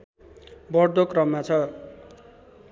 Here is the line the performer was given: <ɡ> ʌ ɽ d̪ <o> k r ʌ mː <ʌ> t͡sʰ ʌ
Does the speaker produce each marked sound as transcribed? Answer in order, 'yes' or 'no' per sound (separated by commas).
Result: no, yes, no